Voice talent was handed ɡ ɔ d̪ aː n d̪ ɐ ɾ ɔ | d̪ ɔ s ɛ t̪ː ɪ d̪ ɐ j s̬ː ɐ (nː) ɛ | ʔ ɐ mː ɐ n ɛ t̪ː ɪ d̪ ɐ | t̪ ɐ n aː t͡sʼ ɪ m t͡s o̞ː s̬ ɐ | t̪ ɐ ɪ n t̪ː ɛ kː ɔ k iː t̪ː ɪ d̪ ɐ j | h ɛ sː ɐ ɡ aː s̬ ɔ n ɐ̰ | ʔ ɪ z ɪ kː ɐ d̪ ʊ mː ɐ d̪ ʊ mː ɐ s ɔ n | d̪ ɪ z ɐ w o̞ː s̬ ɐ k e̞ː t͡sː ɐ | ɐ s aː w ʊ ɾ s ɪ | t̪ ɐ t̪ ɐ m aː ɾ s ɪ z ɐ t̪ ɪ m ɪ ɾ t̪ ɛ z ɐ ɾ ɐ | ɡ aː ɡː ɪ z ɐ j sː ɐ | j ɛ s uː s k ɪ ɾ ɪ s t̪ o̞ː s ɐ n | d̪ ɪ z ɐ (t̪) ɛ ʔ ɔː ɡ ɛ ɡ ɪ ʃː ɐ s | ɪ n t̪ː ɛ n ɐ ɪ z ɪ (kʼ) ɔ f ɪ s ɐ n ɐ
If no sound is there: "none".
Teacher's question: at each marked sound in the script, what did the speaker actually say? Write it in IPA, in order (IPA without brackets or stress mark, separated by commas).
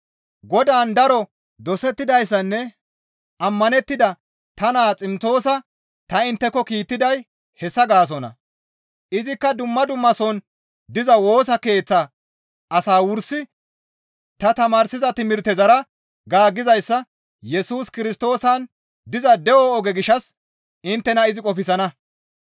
nː, d̪, kʼ